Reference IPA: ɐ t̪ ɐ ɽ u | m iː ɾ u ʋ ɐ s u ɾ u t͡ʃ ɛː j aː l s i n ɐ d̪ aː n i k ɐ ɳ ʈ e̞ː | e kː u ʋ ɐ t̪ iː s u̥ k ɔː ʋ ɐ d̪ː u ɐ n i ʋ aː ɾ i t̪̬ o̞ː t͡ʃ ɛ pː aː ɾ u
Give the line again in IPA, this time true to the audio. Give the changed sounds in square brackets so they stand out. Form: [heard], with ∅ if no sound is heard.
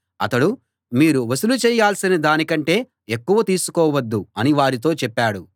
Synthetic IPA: ɐ t̪ ɐ ɽ u | m iː ɾ u ʋ ɐ s u [l] u t͡ʃ ɛː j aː l s i n ɐ d̪ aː n i k ɐ ɳ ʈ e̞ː | e kː u ʋ ɐ t̪ iː s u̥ k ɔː ʋ ɐ d̪ː u ɐ n i ʋ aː ɾ i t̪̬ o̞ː t͡ʃ ɛ pː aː [ɽ] u